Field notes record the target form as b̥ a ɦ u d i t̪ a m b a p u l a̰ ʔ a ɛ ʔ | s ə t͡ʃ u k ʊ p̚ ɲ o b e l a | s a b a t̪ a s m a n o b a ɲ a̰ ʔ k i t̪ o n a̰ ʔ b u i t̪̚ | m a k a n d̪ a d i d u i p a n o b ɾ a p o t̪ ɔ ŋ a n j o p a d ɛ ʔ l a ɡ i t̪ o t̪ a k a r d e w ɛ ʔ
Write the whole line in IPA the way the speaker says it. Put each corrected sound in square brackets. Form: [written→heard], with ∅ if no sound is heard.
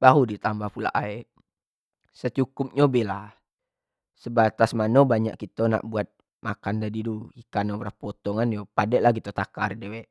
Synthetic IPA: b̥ a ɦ u d i t̪ a m b a p u l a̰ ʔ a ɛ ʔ | s ə t͡ʃ u k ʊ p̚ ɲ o b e l a | s [a→ə] b a t̪ a s m a n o b a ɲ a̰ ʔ k i t̪ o n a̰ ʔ b u [i→a] t̪̚ | m a k a n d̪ a d i d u i [p→k] a n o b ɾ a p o t̪ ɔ ŋ a n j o p a d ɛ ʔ l a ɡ i t̪ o t̪ a k a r d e w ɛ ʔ